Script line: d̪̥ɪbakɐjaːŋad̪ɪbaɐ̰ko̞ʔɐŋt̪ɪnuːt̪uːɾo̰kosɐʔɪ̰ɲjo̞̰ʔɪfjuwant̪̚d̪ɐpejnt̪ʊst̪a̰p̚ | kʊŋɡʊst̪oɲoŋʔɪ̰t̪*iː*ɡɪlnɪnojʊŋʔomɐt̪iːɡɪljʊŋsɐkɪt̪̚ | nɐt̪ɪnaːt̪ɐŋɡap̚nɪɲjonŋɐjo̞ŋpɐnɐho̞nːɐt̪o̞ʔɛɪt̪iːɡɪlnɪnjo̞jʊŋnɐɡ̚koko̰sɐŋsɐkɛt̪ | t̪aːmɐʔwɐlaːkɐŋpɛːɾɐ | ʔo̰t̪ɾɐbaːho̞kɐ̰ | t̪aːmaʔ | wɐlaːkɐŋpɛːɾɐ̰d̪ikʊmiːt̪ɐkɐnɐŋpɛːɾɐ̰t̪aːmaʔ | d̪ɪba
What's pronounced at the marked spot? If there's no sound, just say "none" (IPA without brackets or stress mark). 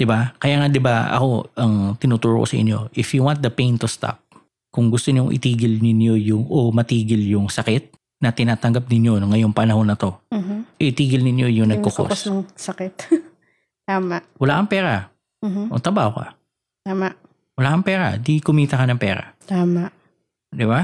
iː